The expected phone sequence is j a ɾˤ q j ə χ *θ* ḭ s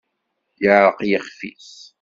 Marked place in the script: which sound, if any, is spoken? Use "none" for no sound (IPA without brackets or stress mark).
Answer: f